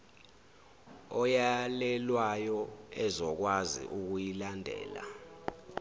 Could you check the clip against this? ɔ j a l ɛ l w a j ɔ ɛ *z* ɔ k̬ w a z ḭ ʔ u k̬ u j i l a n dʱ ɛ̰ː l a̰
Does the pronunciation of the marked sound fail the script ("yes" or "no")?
no